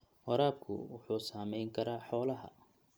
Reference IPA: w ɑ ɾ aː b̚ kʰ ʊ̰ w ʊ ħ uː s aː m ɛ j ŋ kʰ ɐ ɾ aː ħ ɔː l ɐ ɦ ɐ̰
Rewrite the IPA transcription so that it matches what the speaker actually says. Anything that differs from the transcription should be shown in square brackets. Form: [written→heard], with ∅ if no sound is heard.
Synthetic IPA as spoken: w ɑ ɾ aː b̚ kʰ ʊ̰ w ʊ ħ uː s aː m ɛ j ŋ kʰ ɐ ɾ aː ħ ɔː l ɐ ɦ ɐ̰